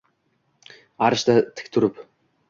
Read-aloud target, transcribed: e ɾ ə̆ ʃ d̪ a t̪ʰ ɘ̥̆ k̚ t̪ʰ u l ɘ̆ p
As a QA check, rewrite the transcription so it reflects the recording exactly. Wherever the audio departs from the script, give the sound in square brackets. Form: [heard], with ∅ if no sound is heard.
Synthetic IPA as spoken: [a] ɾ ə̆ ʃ [t̪] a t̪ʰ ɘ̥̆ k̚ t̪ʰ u [ɾ] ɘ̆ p

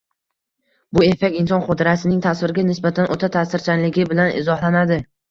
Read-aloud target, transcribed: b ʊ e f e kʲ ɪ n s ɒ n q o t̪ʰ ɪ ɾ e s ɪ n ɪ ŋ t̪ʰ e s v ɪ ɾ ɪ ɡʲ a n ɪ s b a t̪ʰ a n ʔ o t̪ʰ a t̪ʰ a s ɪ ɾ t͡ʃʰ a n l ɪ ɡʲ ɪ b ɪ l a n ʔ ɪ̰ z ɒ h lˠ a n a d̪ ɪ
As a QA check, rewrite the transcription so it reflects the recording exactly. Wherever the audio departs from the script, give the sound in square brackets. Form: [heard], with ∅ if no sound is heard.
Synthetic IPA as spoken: b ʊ e f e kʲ ɪ n s ɒ n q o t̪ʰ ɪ ɾ [a] s ɪ n ɪ ŋ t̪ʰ [a] s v ɪ ɾ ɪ ɡʲ a n ɪ s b a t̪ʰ a n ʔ o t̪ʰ a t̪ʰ a s ɪ ɾ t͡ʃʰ a n l ɪ ɡʲ ɪ b ɪ l a n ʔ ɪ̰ z ɒ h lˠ a n a d̪ ɪ

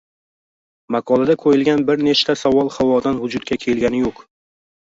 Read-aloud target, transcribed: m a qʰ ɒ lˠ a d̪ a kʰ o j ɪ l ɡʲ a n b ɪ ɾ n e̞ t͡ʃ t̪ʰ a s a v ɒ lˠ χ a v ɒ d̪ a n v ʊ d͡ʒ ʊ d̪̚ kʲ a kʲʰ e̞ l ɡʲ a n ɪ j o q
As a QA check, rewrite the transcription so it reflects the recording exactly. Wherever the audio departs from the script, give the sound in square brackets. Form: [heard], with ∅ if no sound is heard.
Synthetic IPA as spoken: m a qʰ ɒ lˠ a d̪ a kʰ o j ɪ l ɡʲ a n b ɪ ɾ n e̞ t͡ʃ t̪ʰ a s a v ɒ lˠ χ a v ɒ d̪ a n v ʊ d͡ʒ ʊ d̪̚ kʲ a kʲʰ e̞ l ɡʲ a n ɪ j o q

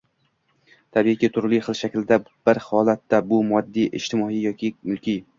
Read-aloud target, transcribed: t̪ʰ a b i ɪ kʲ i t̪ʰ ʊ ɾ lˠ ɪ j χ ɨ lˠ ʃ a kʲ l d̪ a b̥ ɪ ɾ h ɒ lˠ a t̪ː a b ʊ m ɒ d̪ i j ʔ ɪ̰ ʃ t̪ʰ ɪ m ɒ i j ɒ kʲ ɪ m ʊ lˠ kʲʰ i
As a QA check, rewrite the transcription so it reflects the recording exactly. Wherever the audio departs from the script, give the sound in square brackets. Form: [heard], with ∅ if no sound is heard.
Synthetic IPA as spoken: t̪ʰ a b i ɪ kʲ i t̪ʰ ʊ ɾ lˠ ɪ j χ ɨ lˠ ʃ a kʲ l d̪ a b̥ ɪ ɾ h ɒ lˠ a t̪ː a b ʊ m ɒ [d̪ː] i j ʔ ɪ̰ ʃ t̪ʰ ɪ m ɒ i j ɒ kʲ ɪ m ʊ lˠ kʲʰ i

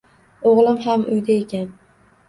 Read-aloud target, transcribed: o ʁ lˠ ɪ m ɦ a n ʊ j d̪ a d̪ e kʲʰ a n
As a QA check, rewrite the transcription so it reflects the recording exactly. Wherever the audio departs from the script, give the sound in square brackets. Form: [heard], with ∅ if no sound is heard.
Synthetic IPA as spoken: o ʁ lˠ ɪ m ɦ a [m] ʊ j d̪ a [∅] e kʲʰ a n

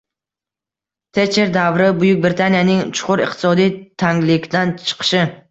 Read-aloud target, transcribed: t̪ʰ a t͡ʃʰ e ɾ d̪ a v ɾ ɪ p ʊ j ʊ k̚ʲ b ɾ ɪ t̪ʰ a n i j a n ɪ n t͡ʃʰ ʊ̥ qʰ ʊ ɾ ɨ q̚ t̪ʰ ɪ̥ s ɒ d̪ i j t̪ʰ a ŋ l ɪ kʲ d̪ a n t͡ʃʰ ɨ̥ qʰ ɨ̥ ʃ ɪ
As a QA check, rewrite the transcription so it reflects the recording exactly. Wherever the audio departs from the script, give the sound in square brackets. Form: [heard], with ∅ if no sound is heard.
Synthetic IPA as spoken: t̪ʰ [e] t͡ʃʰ e ɾ d̪ a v ɾ ɪ [b] ʊ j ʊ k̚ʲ b ɾ ɪ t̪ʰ a n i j a n ɪ [ŋ] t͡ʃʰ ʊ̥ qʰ ʊ ɾ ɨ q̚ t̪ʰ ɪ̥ s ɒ d̪ i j t̪ʰ a ŋ l ɪ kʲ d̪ a n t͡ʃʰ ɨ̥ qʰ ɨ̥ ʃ ɪ

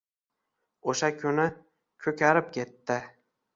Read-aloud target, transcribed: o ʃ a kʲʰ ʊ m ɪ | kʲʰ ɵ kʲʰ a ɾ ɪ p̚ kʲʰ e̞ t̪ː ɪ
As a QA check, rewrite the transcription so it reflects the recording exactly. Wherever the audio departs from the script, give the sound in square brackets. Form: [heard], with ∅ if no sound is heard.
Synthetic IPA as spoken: o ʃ a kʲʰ ʊ [n] ɪ | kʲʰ ɵ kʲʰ a ɾ ɪ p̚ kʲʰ e̞ t̪ː ɪ

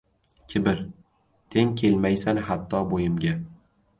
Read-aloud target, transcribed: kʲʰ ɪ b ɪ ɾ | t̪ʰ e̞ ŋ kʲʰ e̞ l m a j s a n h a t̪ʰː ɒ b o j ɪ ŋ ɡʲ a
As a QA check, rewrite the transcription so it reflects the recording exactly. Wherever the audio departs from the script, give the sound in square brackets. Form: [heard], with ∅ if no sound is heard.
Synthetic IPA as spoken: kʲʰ ɪ b ɪ ɾ | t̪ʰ e̞ ŋ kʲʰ e̞ l m a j s a n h a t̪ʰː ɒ b o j ɪ [m] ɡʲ a

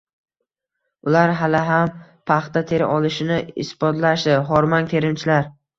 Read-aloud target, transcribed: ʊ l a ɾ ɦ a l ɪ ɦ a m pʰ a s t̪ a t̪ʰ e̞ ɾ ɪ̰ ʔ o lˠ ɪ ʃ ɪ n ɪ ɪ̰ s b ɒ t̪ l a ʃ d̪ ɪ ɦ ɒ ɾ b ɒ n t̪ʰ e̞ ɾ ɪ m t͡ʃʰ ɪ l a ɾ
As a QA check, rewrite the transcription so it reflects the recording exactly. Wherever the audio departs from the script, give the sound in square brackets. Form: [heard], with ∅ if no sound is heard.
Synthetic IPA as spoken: ʊ l a ɾ ɦ a l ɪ ɦ a m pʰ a [χ] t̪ a t̪ʰ e̞ ɾ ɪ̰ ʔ [ɒ] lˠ ɪ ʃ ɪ n ɪ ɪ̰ s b ɒ t̪ l a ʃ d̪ ɪ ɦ ɒ ɾ [m] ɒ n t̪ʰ e̞ ɾ ɪ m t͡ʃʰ ɪ l a ɾ

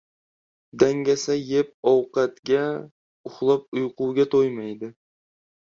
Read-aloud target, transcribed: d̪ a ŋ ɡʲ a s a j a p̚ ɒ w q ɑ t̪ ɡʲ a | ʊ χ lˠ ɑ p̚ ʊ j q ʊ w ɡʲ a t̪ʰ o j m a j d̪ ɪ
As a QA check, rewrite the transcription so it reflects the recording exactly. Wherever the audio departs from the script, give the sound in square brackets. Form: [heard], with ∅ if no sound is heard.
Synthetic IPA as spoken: d̪ a ŋ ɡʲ a s a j [e] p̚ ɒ w q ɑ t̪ ɡʲ a | ʊ χ lˠ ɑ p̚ ʊ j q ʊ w ɡʲ a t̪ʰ o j m a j d̪ ɪ

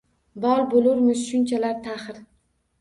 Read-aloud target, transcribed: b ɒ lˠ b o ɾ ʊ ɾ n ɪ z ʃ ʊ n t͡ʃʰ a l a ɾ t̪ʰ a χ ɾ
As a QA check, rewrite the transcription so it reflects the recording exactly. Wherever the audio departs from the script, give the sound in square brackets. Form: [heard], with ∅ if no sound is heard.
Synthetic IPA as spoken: b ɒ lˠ b o [l] ʊ ɾ [m] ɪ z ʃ ʊ n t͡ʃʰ a l a ɾ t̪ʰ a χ ɾ

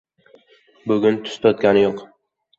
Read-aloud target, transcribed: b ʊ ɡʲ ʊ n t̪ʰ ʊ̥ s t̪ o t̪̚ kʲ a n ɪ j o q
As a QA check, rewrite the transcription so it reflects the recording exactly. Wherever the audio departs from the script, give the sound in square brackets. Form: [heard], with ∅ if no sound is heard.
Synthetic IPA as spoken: b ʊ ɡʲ ʊ n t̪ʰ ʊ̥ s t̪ [ɒ] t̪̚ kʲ a n ɪ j o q

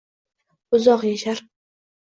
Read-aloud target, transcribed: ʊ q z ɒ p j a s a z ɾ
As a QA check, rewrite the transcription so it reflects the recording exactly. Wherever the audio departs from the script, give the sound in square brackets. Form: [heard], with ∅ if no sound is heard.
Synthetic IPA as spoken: ʊ [∅] z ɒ [q] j a [ʃ] a [∅] ɾ

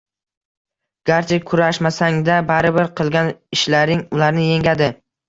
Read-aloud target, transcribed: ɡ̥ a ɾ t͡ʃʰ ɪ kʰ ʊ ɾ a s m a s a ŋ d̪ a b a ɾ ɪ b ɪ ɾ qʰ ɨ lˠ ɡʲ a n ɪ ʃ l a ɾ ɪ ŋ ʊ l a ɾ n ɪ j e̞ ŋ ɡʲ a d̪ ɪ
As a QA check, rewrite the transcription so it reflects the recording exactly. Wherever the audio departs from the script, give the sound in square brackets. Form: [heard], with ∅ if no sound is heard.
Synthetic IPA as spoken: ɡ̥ a ɾ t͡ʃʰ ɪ kʰ ʊ ɾ a [ʃ] m a s a ŋ d̪ a b a ɾ ɪ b ɪ ɾ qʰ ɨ lˠ ɡʲ a n ɪ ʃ l a ɾ ɪ ŋ ʊ l a ɾ n ɪ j e̞ ŋ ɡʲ a d̪ ɪ

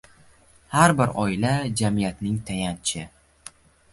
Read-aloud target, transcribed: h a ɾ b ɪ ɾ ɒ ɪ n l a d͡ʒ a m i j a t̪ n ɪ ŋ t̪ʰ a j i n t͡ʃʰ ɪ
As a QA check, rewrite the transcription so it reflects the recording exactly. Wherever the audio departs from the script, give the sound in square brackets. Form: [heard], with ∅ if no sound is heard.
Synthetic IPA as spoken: h a ɾ b ɪ ɾ ɒ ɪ [∅] l a d͡ʒ a m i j a t̪ n ɪ ŋ t̪ʰ a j [a] n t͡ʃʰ ɪ

